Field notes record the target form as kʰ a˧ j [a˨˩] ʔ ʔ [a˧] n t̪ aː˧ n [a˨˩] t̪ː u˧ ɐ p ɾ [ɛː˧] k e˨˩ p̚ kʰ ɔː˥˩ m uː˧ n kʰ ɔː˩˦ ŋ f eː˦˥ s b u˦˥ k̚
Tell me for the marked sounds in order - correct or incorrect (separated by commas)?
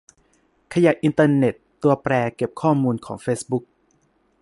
correct, incorrect, incorrect, correct